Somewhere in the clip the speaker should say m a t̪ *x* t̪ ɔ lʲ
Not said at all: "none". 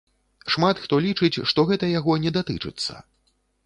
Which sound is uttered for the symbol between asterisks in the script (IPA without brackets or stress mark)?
x